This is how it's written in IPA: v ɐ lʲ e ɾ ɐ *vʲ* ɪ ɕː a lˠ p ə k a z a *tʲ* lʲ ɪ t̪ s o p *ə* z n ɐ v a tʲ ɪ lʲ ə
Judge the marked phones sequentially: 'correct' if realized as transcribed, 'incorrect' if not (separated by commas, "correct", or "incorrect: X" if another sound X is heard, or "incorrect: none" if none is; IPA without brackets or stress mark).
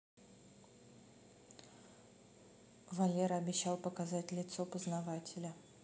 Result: incorrect: bʲ, correct, correct